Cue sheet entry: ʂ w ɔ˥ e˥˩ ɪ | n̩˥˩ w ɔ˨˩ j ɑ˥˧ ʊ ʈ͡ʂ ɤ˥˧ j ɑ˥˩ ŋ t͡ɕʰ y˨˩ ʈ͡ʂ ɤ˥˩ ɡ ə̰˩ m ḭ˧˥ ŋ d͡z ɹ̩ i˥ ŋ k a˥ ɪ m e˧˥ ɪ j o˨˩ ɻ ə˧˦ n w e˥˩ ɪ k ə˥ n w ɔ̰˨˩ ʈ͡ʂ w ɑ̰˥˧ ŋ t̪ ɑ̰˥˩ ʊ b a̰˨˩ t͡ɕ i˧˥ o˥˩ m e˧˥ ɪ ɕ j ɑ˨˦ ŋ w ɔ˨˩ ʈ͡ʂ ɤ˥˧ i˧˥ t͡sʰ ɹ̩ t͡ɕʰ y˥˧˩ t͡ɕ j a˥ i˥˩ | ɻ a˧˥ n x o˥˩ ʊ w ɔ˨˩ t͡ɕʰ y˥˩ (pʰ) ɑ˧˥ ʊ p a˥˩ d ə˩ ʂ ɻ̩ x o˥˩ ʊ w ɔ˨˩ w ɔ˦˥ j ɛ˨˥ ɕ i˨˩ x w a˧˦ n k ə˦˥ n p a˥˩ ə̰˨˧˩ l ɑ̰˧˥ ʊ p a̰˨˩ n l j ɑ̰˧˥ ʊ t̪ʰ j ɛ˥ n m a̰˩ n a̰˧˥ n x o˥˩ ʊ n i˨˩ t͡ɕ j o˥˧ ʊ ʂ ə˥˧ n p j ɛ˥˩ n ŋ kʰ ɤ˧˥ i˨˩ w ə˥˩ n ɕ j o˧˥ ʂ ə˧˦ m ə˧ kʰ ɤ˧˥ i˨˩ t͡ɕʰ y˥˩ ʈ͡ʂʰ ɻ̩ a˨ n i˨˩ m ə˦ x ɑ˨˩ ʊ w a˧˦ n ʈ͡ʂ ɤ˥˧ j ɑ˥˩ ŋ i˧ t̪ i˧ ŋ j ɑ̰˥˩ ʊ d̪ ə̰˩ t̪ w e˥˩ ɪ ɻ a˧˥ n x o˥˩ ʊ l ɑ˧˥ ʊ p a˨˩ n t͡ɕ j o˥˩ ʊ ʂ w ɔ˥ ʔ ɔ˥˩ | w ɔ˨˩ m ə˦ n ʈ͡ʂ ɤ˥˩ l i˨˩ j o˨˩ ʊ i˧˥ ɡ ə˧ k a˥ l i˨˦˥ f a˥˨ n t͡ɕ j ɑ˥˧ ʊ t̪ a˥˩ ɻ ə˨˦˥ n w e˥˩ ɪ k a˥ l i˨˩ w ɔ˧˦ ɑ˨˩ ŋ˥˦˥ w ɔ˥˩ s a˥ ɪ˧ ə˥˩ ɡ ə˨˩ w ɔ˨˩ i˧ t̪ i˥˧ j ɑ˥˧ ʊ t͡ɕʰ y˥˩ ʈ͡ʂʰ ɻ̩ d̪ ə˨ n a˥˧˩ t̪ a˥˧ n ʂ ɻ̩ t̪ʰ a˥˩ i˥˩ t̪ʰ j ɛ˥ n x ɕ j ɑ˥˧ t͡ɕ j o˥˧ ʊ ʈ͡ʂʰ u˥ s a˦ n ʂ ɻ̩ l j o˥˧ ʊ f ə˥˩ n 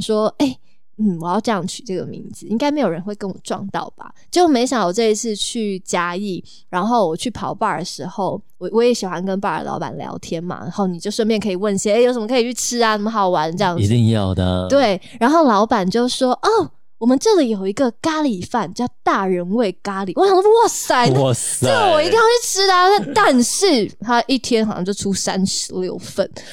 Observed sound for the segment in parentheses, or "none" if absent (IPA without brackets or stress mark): pʰ